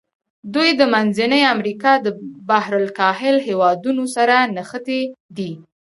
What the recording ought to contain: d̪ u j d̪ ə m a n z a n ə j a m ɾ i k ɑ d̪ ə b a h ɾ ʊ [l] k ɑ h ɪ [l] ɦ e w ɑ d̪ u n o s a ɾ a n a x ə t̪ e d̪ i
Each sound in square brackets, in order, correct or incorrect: correct, correct

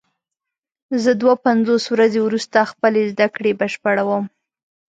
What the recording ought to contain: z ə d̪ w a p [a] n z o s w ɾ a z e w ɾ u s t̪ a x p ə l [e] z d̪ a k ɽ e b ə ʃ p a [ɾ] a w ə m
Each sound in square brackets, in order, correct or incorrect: correct, correct, incorrect

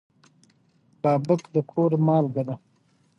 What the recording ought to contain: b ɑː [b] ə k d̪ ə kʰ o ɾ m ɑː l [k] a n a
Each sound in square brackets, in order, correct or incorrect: correct, incorrect

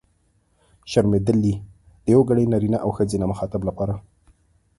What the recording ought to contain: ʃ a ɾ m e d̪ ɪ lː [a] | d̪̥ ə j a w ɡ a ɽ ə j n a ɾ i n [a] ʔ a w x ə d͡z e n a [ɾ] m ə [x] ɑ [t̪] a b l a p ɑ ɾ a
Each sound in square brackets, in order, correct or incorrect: incorrect, correct, incorrect, correct, correct

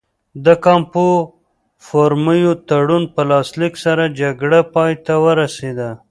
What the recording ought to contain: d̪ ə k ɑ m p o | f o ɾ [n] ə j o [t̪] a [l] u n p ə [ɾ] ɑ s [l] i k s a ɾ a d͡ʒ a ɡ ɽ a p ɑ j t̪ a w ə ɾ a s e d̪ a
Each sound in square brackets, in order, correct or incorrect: incorrect, correct, incorrect, incorrect, correct

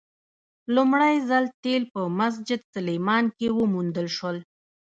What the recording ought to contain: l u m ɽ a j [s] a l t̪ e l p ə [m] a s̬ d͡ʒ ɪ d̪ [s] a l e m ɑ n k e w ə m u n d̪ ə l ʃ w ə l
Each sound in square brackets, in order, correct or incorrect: incorrect, correct, correct

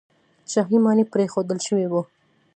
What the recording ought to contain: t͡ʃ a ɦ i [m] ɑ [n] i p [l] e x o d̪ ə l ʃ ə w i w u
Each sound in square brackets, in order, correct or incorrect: correct, correct, incorrect

